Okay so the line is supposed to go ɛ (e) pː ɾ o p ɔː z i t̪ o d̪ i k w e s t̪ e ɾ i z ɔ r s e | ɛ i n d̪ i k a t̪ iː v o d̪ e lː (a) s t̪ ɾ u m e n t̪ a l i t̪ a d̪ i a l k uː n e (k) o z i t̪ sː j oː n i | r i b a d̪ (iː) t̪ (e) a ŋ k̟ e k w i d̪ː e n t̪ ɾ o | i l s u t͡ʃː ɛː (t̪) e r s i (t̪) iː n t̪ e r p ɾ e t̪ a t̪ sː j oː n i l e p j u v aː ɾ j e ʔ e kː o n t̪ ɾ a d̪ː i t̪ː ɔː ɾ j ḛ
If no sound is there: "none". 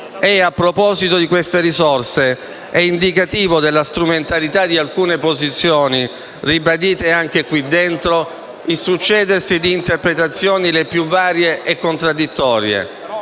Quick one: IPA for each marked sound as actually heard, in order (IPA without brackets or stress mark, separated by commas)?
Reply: a, a, p, iː, e, d̪, d̪